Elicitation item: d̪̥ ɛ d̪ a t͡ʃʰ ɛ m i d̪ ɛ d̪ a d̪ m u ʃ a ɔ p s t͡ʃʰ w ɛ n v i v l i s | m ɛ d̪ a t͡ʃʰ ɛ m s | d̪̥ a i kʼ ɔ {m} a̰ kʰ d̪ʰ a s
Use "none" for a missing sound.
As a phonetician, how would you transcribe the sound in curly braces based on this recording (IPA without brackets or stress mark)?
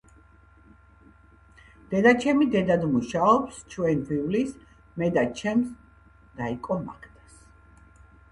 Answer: m